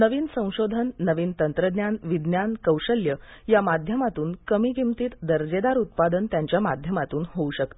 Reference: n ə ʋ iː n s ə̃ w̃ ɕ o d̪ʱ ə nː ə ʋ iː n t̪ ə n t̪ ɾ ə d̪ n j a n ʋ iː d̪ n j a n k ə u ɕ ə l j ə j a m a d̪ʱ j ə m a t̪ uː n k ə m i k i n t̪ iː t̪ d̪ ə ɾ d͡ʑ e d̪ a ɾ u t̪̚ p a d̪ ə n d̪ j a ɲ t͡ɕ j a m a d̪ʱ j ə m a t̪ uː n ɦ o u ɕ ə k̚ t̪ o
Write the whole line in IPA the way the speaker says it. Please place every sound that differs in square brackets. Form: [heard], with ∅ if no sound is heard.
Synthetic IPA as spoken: n ə ʋ iː n s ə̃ w̃ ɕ o d̪ʱ ə nː ə ʋ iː n t̪ ə n t̪ ɾ ə d̪ n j a n ʋ [i] d̪ n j a n k ə [w] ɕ ə l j ə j a m a d̪ʱ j ə m a t̪ uː n k ə m i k i [m] t̪ iː t̪ d̪ ə ɾ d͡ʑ e d̪ a ɾ u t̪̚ p a d̪ ə n [t̪] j a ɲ t͡ɕ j a m a d̪ʱ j ə m a t̪ uː n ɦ o u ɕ ə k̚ t̪ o

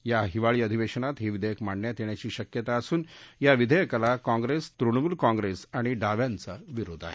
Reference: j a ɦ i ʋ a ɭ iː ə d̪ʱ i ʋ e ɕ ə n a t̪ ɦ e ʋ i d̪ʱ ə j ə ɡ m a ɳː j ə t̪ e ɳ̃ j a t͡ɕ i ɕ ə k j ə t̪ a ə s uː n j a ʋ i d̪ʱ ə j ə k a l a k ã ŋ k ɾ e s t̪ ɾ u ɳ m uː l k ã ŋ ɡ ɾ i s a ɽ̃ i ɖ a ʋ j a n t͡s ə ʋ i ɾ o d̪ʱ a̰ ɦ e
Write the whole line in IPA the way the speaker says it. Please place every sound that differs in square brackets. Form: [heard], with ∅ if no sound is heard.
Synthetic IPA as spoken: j a ɦ i ʋ a ɭ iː ə d̪ʱ i ʋ e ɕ ə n a t̪ ɦ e ʋ i d̪ʱ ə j ə [k] m a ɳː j [a] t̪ e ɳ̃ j a t͡ɕ [iː] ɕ ə k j ə t̪ a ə s uː n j a ʋ i d̪ʱ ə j ə k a l a k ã ŋ [ɡ] ɾ e s t̪ ɾ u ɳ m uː l k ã ŋ ɡ ɾ [e] s a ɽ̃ i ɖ a ʋ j a n t͡s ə ʋ i ɾ o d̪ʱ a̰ ɦ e

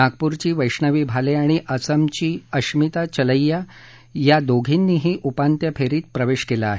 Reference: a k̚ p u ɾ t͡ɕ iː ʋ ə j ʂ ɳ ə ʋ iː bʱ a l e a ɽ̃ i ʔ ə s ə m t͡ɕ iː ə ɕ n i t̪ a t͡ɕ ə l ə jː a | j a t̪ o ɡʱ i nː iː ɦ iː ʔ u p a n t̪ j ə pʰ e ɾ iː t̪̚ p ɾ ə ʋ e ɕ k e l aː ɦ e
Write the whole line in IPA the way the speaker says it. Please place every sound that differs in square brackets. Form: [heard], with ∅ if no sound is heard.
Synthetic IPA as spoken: a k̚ p u ɾ t͡ɕ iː ʋ ə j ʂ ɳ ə ʋ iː bʱ a l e a ɽ̃ i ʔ ə s ə m t͡ɕ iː ə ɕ [m] i t̪ a t͡ɕ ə l ə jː a | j a [d̪] o ɡʱ i nː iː ɦ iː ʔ u p a n t̪ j ə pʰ e ɾ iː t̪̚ p ɾ ə ʋ e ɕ k e l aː ɦ e

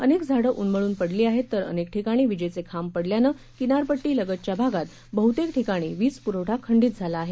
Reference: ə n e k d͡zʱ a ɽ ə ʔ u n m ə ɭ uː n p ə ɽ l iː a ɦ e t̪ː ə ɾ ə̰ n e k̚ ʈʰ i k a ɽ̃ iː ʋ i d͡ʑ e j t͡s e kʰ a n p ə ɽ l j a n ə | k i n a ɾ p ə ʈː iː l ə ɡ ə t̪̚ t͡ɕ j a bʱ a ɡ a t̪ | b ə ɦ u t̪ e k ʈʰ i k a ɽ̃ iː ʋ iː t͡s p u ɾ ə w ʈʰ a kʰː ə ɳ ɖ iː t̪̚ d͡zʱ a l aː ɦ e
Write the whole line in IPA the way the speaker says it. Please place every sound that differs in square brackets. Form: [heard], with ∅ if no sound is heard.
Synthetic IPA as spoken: ə n e k d͡zʱ a ɽ ə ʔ u n m ə ɭ uː n p ə ɽ l iː a ɦ e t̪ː ə ɾ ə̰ n e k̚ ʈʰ i k a ɽ̃ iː ʋ i d͡ʑ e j t͡s e kʰ a [m] p ə ɽ l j a n ə | k i n a ɾ p ə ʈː iː l ə ɡ ə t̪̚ t͡ɕ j a bʱ a ɡ a t̪ | b ə ɦ u t̪ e k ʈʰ i k a ɽ̃ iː ʋ iː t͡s p u ɾ ə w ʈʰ a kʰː ə ɳ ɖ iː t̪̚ d͡zʱ a l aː ɦ e

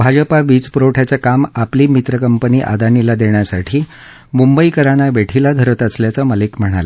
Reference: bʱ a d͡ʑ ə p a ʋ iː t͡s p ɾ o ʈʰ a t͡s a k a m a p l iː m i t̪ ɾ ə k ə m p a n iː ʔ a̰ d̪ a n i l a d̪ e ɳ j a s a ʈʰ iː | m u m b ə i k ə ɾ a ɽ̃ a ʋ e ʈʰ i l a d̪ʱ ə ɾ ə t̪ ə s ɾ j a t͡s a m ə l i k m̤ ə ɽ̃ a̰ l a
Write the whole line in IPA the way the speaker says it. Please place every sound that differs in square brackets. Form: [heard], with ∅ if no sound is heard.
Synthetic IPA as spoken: bʱ a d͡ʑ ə p a ʋ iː t͡s p ɾ o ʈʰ a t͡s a k a m a p l iː m i t̪ ɾ ə k ə m p [ə] n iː ʔ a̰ d̪ a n i l a d̪ e ɳ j a s a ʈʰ iː | m u m b ə i k ə ɾ a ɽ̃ a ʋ e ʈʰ i l a d̪ʱ ə ɾ ə t̪ ə s [l] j a t͡s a m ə l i k m̤ ə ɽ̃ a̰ l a

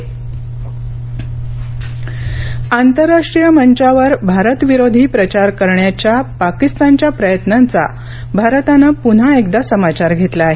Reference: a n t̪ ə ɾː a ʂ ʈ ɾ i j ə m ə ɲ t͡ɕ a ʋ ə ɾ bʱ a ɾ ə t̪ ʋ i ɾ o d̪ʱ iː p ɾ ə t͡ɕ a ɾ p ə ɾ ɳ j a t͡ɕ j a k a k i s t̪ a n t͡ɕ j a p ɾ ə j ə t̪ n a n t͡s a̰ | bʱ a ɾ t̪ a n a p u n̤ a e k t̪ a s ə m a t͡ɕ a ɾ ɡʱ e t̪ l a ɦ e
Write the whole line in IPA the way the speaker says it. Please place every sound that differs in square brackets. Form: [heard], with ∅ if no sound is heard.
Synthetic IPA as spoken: a n t̪ ə ɾː a ʂ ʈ ɾ i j ə m ə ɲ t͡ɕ a ʋ ə ɾ bʱ a ɾ ə t̪ ʋ i ɾ o d̪ʱ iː p ɾ ə t͡ɕ a ɾ [k] ə ɾ ɳ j a t͡ɕ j a [p] a k i s t̪ a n t͡ɕ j a p ɾ ə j ə t̪ n a n t͡s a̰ | bʱ a ɾ t̪ a n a p u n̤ a e k [d̪] a s ə m a t͡ɕ a ɾ ɡʱ e t̪ l a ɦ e

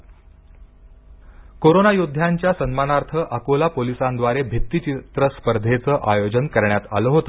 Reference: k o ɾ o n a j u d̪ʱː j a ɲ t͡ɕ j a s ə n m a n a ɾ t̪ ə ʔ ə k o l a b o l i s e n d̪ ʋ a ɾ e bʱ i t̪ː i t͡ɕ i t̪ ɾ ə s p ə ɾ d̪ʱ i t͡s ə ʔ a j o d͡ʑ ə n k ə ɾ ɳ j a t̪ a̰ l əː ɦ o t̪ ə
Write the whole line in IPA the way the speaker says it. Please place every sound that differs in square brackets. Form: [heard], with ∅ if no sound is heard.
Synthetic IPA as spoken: k o ɾ o n a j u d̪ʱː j a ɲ t͡ɕ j a s ə n m a n a ɾ [t̪ʰ] ə ʔ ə k o l a [p] o l i s [a] n d̪ ʋ a ɾ e bʱ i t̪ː i t͡ɕ i t̪ ɾ ə s p ə ɾ d̪ʱ [e] t͡s ə ʔ a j o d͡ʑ ə n k ə ɾ ɳ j a t̪ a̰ l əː ɦ o t̪ ə

